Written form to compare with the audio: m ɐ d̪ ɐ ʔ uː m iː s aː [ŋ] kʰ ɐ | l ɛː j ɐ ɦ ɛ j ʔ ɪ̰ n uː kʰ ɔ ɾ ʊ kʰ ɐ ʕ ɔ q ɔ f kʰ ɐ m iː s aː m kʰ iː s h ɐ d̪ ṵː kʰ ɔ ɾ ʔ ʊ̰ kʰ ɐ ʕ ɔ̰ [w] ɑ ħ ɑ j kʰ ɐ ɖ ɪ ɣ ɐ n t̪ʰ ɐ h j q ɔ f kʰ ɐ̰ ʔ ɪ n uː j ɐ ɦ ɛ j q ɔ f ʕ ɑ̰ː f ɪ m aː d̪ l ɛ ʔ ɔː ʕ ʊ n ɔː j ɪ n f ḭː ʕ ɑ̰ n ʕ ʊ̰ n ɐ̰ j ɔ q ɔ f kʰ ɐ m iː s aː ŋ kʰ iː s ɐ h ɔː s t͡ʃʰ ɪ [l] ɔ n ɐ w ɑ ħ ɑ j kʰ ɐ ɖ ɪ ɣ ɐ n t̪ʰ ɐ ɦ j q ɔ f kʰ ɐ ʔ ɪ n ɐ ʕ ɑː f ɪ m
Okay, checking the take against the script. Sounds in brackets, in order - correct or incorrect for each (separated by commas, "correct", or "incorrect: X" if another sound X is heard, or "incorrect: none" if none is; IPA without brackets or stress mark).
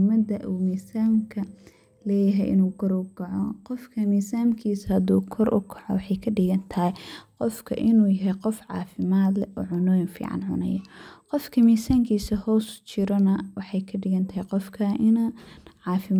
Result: incorrect: m, correct, incorrect: ɾ